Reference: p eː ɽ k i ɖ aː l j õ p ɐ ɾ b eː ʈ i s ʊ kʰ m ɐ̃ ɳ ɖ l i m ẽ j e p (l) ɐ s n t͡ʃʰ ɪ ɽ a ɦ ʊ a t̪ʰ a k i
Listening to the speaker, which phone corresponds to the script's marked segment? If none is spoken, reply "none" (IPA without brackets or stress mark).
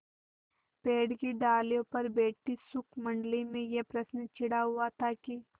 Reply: ɾ